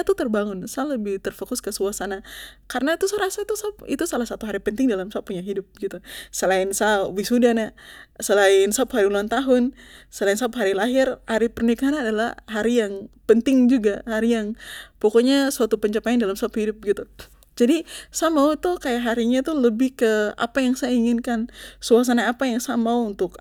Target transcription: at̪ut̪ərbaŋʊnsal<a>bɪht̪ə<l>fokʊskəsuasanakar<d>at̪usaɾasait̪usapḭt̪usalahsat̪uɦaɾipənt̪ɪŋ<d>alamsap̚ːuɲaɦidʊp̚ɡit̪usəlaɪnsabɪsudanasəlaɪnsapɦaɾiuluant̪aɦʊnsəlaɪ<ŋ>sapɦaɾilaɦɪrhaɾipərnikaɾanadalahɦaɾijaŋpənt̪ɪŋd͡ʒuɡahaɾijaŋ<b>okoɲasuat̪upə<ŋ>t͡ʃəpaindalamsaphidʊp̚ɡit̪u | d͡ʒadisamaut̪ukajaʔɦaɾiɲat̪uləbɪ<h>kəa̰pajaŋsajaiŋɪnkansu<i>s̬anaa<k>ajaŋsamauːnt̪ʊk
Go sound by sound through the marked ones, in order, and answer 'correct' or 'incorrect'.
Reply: incorrect: ə, incorrect: r, incorrect: n, correct, incorrect: n, incorrect: p, incorrect: ɲ, correct, incorrect: a, incorrect: p

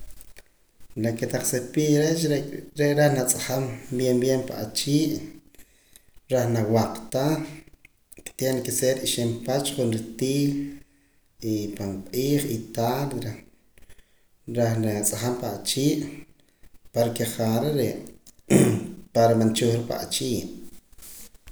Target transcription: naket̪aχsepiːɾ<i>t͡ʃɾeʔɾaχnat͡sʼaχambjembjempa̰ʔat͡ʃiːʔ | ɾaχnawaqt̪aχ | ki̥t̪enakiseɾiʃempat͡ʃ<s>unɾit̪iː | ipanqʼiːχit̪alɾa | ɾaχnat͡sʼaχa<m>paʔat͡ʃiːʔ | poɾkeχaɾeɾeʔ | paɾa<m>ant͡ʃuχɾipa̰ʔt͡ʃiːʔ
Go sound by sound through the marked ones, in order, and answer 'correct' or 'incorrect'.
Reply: incorrect: e, incorrect: χ, correct, correct

